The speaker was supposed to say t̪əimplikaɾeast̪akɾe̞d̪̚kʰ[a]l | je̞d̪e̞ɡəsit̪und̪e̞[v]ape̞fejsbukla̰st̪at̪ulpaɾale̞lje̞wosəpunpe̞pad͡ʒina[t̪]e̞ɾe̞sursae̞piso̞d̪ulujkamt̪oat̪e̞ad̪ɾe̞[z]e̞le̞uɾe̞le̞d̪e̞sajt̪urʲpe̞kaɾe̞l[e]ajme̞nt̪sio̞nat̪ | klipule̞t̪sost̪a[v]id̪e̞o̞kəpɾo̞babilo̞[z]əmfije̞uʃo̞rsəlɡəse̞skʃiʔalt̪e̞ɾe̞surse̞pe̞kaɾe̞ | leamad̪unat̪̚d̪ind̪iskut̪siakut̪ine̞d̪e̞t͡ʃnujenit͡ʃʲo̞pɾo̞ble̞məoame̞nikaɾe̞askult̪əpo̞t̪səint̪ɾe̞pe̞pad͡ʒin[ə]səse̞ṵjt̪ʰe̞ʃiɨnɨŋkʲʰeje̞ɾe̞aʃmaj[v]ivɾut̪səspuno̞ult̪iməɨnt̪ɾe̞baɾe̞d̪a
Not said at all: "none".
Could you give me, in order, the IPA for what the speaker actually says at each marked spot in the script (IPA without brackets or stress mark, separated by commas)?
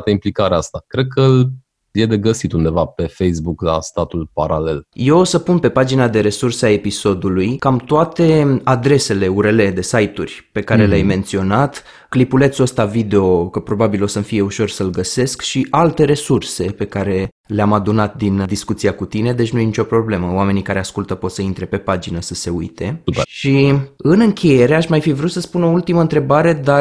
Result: ə, v, d̪, s, e, v, s, ə, f